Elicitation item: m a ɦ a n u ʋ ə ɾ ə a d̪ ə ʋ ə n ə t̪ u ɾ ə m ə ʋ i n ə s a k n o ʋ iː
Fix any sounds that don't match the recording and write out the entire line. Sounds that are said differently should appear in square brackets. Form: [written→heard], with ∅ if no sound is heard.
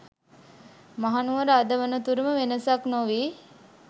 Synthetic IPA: m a ɦ a n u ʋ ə ɾ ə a d̪ ə ʋ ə n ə t̪ u ɾ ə m ə ʋ [i→e] n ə s a k n o ʋ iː